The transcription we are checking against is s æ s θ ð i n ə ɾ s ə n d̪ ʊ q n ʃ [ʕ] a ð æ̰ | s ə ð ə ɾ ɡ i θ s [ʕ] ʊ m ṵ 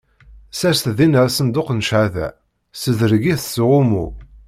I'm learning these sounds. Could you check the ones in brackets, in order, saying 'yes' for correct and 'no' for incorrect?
yes, no

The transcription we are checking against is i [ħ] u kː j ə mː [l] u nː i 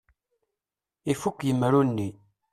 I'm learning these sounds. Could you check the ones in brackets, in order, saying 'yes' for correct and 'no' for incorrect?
no, no

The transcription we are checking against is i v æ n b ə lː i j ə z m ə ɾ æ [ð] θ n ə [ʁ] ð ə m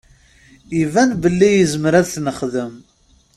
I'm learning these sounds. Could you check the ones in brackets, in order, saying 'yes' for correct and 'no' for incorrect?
yes, no

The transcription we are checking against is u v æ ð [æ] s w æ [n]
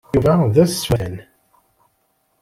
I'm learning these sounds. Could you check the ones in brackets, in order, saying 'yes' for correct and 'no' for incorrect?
yes, yes

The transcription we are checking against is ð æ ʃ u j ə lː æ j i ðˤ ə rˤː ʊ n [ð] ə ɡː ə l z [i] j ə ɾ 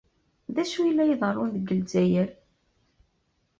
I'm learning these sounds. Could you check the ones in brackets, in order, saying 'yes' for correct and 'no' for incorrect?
yes, no

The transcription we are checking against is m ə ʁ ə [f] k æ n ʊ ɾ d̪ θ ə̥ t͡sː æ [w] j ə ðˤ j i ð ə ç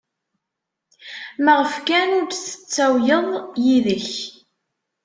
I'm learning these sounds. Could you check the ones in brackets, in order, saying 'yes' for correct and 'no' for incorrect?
yes, yes

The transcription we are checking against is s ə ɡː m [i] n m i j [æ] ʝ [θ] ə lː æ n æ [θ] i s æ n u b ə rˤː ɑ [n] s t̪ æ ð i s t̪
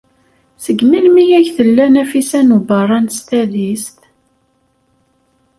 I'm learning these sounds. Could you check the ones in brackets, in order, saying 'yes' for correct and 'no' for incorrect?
yes, yes, yes, no, yes

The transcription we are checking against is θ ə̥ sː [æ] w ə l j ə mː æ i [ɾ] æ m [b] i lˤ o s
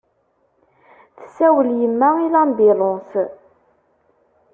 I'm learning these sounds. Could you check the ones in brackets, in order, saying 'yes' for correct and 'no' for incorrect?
yes, no, yes

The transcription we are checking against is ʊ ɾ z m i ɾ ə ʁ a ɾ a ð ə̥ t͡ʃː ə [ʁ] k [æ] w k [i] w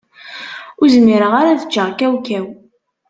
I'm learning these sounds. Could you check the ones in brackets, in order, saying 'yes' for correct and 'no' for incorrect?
yes, yes, no

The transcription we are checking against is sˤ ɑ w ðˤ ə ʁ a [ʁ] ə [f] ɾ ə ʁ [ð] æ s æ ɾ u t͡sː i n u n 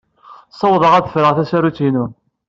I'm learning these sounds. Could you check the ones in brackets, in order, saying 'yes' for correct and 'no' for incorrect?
no, yes, no

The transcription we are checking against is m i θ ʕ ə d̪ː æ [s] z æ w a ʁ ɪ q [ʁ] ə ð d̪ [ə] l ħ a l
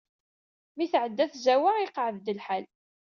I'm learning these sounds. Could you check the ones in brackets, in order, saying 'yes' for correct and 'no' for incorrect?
no, no, yes

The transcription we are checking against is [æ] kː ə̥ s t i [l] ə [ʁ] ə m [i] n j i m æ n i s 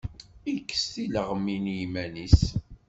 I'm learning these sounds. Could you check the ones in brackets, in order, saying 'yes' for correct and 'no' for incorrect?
no, yes, yes, yes

